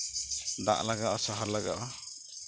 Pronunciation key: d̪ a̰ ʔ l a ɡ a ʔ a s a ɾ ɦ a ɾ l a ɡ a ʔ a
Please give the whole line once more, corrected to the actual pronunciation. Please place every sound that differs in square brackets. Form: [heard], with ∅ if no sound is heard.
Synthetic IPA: d̪ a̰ ʔ l a ɡ a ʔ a s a [∅] ɦ a ɾ l a ɡ a ʔ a